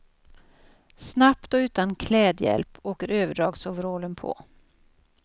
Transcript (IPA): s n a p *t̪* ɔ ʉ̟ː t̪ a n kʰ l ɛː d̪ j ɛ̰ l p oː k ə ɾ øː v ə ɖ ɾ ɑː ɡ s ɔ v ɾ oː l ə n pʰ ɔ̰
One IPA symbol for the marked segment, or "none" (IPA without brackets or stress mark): t̪